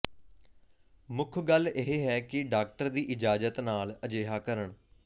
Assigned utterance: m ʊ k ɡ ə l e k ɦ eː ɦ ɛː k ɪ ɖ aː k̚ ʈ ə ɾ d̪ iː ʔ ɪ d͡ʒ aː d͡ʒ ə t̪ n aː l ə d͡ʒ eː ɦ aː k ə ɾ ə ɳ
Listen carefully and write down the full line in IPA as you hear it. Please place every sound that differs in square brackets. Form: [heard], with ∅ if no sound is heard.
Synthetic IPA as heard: m ʊ [kʰ] ɡ ə l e [∅] ɦ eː ɦ ɛː k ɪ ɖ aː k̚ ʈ ə ɾ d̪ iː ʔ ɪ d͡ʒ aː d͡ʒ ə t̪ n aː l ə d͡ʒ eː ɦ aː k ə ɾ ə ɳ